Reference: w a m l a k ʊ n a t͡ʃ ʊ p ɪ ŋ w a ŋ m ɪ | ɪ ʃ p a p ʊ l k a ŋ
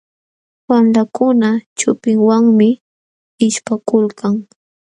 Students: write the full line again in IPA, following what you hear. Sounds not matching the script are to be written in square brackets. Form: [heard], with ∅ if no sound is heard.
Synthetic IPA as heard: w a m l a k ʊ n a t͡ʃ ʊ p ɪ ŋ w a ŋ m ɪ | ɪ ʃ p a [k] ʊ l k a ŋ